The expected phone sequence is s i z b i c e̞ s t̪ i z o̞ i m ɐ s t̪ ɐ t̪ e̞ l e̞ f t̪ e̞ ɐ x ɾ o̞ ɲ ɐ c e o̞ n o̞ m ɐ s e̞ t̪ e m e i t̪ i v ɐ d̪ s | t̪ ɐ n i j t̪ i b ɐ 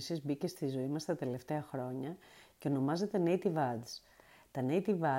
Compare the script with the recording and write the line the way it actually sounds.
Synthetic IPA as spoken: s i z b i c e̞ s t̪ i z o̞ i m ɐ s t̪ ɐ t̪ e̞ l e̞ f t̪ e̞ ɐ x ɾ o̞ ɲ ɐ c e o̞ n o̞ m ɐ z e̞ t̪ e n e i t̪ i v ɐ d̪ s | t̪ ɐ n e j t̪ i v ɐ